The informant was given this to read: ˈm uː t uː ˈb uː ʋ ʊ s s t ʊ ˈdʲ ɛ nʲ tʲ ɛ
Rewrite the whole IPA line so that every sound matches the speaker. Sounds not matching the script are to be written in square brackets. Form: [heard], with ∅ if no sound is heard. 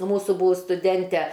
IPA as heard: ˈm uː [s] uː ˈb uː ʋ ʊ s s t ʊ ˈdʲ ɛ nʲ tʲ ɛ